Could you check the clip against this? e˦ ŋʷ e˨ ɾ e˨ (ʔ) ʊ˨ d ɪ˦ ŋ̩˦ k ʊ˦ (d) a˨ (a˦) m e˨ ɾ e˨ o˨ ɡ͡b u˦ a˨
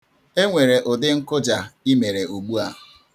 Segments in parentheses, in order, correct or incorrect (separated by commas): correct, incorrect, incorrect